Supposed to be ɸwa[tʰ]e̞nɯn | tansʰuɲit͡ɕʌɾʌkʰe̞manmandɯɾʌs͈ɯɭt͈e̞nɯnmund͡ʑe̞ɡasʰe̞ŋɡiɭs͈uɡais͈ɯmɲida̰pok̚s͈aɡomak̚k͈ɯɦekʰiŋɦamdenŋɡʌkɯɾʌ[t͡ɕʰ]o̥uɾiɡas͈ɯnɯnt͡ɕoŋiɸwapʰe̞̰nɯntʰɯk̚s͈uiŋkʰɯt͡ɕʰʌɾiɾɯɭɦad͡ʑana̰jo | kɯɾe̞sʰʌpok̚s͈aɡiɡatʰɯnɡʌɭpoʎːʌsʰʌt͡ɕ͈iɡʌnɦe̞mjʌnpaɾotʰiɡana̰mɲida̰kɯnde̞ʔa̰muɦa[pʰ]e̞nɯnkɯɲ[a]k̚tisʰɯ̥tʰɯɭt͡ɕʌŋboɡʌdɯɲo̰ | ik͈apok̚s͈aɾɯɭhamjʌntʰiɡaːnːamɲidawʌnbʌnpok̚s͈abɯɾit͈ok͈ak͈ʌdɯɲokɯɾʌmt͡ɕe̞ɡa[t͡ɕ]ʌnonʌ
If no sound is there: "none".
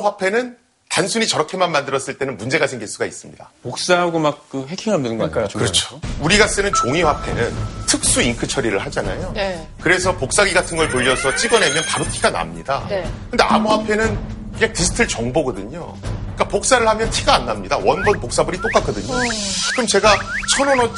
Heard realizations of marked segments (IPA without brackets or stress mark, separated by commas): pʰ, t͡ɕʰ, pʰ, a, t͡ɕʰ